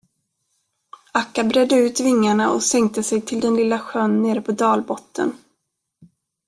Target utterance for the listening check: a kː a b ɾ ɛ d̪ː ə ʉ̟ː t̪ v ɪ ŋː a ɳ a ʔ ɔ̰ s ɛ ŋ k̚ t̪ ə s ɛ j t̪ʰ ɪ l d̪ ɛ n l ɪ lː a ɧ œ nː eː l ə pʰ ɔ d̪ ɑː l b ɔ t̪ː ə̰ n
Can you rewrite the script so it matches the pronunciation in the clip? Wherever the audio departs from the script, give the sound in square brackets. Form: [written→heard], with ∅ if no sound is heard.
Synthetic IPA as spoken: a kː a b ɾ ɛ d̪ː ə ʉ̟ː t̪ v ɪ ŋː a ɳ a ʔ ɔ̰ s ɛ ŋ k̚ t̪ ə s ɛ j t̪ʰ ɪ l d̪ ɛ n l ɪ lː a ɧ œ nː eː [l→ɾ] ə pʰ ɔ d̪ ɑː l b ɔ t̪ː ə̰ n